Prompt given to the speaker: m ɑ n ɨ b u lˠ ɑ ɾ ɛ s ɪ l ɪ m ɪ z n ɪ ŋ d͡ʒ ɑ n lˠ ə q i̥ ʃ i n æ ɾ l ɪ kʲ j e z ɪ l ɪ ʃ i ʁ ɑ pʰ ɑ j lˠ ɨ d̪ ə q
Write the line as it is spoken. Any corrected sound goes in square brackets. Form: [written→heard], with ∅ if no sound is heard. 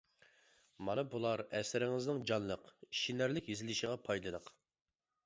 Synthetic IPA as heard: m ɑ n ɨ b u lˠ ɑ ɾ ɛ s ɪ [l→ɾ] ɪ [m→ŋ] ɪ z n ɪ ŋ d͡ʒ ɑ n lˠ ə q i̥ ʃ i n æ ɾ l ɪ kʲ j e z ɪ l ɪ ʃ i ʁ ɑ pʰ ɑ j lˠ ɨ d̪ ə q

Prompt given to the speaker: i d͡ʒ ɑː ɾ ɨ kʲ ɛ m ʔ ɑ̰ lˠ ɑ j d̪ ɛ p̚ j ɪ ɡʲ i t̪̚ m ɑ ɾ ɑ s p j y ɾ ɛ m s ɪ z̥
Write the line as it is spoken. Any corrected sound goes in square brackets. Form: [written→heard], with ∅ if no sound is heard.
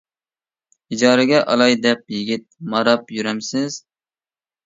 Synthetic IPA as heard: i d͡ʒ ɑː ɾ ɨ [kʲ→ɡʲ] ɛ [m→∅] ʔ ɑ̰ lˠ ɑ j d̪ ɛ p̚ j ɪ ɡʲ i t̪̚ m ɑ ɾ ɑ [s→∅] p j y ɾ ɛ m s ɪ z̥

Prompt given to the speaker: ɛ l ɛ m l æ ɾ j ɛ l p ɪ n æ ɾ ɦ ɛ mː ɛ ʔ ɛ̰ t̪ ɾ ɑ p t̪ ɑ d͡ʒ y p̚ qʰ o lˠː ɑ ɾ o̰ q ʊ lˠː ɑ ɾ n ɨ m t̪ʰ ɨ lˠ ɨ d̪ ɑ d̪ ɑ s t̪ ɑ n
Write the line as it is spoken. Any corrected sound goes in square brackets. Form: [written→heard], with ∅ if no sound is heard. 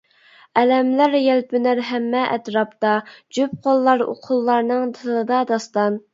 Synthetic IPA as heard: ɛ l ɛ m l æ ɾ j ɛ l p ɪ n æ ɾ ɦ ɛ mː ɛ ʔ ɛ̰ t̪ ɾ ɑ p t̪ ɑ d͡ʒ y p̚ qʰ o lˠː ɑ ɾ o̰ [q→qʰ] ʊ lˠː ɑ ɾ n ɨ [m→ŋ] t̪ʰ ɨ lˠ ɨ d̪ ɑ d̪ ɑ s t̪ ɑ n

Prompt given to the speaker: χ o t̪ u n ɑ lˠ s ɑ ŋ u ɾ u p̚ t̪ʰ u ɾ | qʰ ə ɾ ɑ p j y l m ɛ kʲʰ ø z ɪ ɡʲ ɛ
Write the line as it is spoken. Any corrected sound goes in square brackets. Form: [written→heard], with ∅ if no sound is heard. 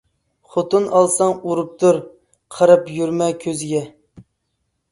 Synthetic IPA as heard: χ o t̪ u n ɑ lˠ s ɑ ŋ u ɾ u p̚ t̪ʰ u ɾ | qʰ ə ɾ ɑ p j y [l→ɾ] m ɛ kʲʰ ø z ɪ ɡʲ ɛ

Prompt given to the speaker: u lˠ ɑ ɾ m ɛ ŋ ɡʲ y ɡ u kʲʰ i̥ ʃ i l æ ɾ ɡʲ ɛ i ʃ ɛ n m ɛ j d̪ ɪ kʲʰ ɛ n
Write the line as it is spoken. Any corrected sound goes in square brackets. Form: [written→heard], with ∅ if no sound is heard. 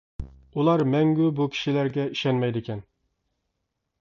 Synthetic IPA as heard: u lˠ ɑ ɾ m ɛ ŋ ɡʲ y [ɡ→b] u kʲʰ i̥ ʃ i l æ ɾ ɡʲ ɛ i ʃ ɛ n m ɛ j d̪ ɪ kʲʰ ɛ n

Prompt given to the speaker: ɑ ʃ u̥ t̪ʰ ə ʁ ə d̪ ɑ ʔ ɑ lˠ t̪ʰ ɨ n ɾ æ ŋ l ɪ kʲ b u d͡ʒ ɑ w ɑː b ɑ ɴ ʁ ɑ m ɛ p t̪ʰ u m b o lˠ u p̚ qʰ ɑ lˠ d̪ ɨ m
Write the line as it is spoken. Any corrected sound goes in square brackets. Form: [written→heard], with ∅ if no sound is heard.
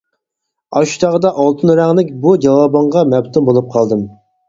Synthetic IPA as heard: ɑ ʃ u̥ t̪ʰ [ə→ɑ] ʁ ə d̪ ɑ ʔ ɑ lˠ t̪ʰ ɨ n ɾ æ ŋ l ɪ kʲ b u d͡ʒ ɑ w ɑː b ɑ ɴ ʁ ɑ m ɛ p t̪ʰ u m b o lˠ u p̚ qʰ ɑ lˠ d̪ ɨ m

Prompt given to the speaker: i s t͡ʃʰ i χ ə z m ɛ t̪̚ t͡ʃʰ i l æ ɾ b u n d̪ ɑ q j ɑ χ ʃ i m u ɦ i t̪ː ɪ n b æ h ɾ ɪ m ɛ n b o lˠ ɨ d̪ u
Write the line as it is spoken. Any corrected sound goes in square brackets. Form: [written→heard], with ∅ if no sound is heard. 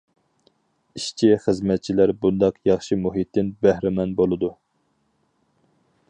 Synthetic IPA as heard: i [s→ʃ] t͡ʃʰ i χ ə z m ɛ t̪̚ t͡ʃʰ i l æ ɾ b u n d̪ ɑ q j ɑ χ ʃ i m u ɦ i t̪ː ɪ n b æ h ɾ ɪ m ɛ n b o lˠ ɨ d̪ u

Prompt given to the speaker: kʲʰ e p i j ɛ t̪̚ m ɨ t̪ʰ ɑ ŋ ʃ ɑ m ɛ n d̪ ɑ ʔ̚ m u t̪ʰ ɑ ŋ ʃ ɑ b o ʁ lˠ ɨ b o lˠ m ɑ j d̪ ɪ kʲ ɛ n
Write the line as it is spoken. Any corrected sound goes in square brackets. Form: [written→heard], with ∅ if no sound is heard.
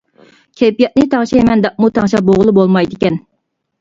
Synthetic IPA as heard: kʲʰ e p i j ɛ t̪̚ [m→n] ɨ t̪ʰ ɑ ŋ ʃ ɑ m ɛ n d̪ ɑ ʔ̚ m u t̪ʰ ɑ ŋ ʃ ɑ b o ʁ lˠ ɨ b o lˠ m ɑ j d̪ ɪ kʲ ɛ n

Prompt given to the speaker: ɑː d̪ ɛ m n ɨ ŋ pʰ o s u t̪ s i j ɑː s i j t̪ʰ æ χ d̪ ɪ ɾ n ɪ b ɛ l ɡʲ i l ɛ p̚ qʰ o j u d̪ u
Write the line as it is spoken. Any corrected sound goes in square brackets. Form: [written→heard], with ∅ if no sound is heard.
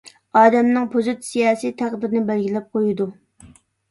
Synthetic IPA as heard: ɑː d̪ ɛ m n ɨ ŋ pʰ o [s→z] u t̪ s i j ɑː s i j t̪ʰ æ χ d̪ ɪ ɾ n ɪ b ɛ l ɡʲ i l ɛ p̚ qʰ o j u d̪ u

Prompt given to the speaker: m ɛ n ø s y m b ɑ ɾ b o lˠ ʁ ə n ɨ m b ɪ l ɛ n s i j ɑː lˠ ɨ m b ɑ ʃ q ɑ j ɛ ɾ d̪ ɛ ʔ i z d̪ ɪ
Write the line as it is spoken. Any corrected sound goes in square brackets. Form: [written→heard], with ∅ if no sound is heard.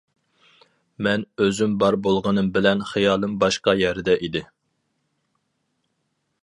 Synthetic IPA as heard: m ɛ n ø [s→z] y m b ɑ ɾ b o lˠ ʁ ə n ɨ m b ɪ l ɛ n [s→χ] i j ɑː lˠ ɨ m b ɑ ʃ q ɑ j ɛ ɾ d̪ ɛ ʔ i [z→∅] d̪ ɪ

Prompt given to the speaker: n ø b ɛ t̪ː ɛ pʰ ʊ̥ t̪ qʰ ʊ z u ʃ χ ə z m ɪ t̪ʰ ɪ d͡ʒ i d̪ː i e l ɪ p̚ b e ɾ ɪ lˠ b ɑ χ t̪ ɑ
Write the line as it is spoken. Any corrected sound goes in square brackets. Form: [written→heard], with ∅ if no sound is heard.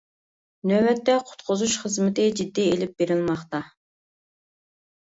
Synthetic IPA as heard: n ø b ɛ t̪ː ɛ [pʰ→qʰ] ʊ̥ t̪ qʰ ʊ z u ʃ χ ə z m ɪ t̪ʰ ɪ d͡ʒ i d̪ː i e l ɪ p̚ b e ɾ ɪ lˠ [b→m] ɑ χ t̪ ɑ

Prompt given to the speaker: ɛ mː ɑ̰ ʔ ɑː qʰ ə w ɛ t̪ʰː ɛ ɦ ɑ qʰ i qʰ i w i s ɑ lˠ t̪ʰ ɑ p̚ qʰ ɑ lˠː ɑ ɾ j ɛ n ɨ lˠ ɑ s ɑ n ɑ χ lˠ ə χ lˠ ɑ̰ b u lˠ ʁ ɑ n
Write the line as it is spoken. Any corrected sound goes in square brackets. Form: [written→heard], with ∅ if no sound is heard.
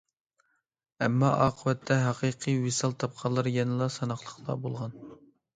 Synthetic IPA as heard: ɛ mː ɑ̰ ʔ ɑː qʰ ə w ɛ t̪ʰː ɛ ɦ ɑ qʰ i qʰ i w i s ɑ lˠ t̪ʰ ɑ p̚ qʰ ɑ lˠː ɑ ɾ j ɛ n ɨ lˠ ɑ s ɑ n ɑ χ lˠ ə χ lˠ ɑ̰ b [u→o] lˠ ʁ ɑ n

